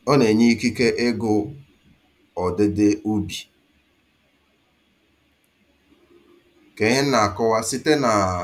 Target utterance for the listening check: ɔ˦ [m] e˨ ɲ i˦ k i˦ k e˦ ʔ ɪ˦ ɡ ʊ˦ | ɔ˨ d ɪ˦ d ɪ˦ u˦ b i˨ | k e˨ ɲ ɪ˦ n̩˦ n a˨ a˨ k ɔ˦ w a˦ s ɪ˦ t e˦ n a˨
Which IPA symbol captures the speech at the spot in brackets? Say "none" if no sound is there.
n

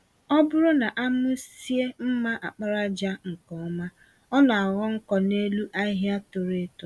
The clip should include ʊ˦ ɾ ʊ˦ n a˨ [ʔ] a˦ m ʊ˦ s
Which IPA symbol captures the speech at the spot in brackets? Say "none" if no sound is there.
ʔ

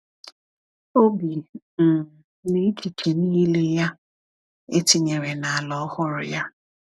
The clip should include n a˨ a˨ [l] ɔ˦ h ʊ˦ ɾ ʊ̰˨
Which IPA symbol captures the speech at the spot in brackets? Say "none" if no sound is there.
l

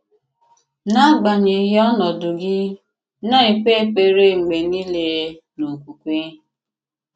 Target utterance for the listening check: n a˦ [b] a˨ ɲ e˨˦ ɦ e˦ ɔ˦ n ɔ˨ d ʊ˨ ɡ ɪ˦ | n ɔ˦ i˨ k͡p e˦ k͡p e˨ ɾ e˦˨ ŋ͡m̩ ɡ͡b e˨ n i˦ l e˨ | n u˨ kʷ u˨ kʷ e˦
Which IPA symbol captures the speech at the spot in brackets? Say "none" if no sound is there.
ɡ͡b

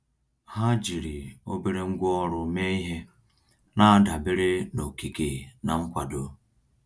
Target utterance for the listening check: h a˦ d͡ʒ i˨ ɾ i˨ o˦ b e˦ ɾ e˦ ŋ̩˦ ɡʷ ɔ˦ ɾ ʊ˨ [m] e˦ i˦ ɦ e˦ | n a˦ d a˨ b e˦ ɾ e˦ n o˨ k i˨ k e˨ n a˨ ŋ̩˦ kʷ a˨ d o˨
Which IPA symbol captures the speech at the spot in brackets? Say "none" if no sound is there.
m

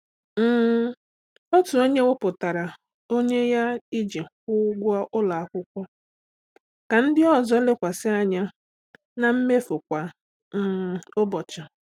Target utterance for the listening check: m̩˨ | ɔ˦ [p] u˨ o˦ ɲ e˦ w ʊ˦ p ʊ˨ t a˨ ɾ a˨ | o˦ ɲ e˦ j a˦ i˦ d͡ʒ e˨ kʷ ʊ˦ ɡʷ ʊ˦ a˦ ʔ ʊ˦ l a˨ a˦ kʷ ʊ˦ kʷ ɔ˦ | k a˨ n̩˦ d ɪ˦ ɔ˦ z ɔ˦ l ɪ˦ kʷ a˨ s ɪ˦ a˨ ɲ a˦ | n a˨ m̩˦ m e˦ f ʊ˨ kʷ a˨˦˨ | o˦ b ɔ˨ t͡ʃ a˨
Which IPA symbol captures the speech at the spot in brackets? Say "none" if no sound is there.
t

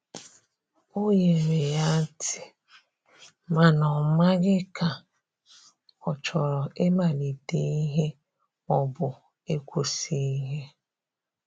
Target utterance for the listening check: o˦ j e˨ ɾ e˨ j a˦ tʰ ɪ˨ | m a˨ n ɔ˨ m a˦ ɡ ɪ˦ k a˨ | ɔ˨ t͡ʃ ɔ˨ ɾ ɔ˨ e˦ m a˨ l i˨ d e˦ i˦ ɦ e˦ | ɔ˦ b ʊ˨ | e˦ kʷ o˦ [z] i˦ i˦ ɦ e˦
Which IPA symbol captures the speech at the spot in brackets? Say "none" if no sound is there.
s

